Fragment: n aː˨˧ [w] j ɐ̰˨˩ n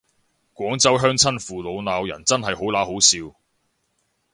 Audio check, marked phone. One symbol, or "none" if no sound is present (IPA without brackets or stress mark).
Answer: w